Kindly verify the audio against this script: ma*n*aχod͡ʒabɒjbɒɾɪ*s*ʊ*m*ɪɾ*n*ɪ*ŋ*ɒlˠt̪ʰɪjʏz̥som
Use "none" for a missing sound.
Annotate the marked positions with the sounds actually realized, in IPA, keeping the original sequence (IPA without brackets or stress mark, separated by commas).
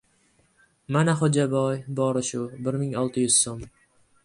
n, ʃ, b, m, ŋ